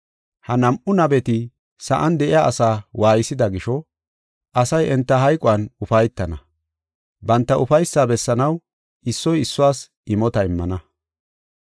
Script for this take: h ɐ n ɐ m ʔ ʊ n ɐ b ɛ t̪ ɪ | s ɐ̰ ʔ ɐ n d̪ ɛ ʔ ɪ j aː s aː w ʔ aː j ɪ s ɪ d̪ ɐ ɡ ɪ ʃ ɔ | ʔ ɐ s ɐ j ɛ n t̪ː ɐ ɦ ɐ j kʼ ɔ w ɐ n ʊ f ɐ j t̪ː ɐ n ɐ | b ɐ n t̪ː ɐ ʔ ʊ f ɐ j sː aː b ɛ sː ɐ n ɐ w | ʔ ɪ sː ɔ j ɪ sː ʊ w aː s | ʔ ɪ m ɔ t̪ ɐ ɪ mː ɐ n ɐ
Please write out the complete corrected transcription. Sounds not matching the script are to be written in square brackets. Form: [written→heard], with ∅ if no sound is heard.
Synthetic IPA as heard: h ɐ n ɐ m ʔ ʊ n ɐ b ɛ t̪ ɪ | s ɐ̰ ʔ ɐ n d̪ ɛ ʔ ɪ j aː s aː w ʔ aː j ɪ s ɪ d̪ ɐ ɡ ɪ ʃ ɔ | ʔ ɐ s ɐ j ɛ n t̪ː ɐ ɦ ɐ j kʼ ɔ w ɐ n ʊ f ɐ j t̪ː ɐ n ɐ | b ɐ n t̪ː ɐ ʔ ʊ f ɐ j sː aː b ɛ sː ɐ n ɐ w | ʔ ɪ sː ɔ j ɪ sː ʊ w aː s | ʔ ɪ m ɔ t̪ ɐ ɪ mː ɐ n ɐ